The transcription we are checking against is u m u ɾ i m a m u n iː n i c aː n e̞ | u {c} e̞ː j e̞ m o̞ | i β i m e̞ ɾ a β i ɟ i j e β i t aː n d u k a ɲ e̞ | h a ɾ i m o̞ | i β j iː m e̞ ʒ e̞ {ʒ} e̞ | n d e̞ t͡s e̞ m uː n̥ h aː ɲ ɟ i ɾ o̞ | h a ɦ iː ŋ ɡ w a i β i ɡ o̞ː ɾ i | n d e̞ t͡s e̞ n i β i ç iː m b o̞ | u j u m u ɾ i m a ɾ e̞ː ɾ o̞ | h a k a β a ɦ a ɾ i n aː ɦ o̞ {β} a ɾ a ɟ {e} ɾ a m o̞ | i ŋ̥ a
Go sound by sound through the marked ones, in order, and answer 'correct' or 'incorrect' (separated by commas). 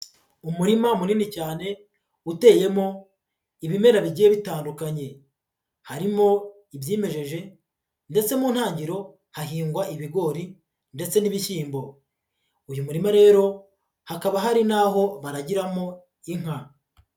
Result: incorrect, correct, correct, incorrect